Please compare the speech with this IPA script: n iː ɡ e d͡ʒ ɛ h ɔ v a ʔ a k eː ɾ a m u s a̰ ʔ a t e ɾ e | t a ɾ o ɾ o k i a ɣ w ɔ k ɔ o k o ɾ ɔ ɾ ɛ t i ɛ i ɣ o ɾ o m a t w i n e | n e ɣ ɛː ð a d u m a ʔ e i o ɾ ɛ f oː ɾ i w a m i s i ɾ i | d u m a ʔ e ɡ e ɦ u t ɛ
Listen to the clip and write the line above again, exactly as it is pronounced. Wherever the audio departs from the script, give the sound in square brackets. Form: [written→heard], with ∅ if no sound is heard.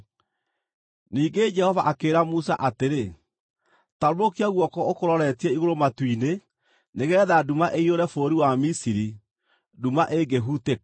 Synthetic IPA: n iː ɡ e d͡ʒ ɛ h ɔ v a ʔ a k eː ɾ a m u s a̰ ʔ a t e ɾ e | t a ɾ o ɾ o k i a ɣ w ɔ k ɔ o k o ɾ ɔ ɾ ɛ t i ɛ i ɣ o ɾ o m a t w i n e | n e ɣ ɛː ð a d u m a ʔ e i o ɾ ɛ f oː ɾ i w a m i s i ɾ i | d u m a ʔ e ɡ e ɦ u t [ɛ→e]